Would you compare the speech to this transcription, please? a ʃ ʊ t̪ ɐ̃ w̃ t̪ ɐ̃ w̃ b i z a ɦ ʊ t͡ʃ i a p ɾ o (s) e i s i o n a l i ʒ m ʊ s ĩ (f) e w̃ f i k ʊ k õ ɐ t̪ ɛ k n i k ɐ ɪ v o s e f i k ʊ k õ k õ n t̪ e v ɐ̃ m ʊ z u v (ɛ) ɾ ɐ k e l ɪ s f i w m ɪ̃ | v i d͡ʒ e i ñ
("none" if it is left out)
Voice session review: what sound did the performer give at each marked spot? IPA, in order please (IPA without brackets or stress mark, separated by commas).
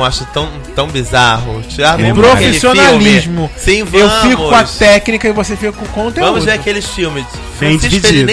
f, v, e